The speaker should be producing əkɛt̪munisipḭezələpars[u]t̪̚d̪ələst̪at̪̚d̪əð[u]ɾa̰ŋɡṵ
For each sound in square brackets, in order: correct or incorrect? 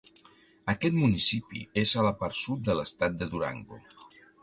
correct, correct

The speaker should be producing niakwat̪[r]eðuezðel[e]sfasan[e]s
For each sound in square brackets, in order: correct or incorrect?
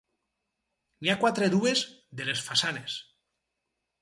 incorrect: ɾ, correct, correct

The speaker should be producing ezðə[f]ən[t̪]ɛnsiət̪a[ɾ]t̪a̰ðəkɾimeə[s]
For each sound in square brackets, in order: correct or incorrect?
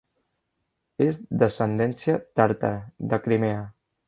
incorrect: s, incorrect: d̪, correct, incorrect: none

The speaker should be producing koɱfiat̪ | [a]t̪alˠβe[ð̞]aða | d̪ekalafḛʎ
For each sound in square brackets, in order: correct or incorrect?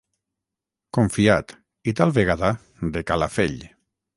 incorrect: i, incorrect: ɣ̞

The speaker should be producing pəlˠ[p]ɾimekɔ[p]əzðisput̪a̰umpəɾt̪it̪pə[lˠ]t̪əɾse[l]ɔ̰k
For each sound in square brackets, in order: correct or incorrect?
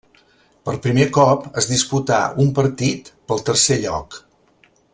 correct, correct, correct, incorrect: ʎ

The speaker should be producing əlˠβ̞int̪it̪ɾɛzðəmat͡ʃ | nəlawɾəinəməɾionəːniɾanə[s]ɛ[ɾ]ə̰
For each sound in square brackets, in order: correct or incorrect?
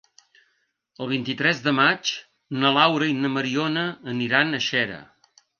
incorrect: ʃ, correct

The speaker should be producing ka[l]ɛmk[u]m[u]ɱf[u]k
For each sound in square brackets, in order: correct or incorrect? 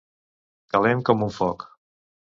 correct, incorrect: ɔ, correct, incorrect: ɔ

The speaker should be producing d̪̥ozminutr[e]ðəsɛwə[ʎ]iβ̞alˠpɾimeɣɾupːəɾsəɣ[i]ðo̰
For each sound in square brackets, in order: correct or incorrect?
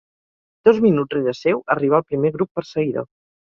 correct, incorrect: r, correct

